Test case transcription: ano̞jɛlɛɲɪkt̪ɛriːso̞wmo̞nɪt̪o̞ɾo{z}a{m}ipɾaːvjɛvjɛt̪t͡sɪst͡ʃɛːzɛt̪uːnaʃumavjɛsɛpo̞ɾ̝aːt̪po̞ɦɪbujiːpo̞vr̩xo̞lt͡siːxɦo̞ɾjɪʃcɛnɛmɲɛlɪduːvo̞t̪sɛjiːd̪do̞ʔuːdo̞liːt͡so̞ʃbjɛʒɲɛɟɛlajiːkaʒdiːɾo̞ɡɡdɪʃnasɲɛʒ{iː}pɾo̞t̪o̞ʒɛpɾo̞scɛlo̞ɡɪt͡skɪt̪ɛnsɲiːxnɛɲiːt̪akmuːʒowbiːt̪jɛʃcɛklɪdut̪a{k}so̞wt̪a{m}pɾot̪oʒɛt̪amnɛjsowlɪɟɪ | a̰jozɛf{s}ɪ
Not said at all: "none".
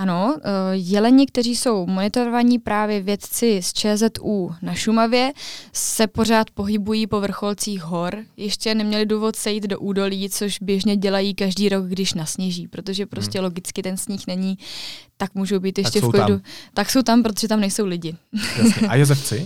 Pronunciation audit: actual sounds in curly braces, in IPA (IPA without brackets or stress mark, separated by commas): v, ɲ, iː, k, m, t͡s